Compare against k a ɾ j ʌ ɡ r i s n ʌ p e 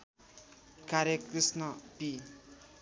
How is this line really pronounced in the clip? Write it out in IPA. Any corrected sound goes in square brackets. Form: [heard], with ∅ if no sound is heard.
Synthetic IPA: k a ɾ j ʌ [k] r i s n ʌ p [i]